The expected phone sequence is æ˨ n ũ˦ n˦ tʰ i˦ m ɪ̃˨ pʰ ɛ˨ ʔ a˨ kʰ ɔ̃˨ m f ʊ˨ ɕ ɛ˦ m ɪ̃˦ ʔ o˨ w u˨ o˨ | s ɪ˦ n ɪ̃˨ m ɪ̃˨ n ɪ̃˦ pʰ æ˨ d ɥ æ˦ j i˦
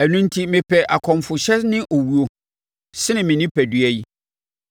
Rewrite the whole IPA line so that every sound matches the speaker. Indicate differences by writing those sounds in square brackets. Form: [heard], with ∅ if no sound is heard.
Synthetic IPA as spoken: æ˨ n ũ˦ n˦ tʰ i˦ m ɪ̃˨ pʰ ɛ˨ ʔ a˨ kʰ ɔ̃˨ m f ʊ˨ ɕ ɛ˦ [n] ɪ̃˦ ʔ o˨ w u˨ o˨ | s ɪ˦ n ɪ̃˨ m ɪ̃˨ n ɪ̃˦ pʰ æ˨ d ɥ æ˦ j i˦